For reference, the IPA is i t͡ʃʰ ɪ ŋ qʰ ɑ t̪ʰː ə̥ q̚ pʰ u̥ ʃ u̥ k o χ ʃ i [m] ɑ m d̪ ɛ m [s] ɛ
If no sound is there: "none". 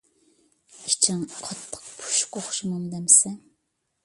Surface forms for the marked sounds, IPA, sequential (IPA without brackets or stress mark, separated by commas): m, s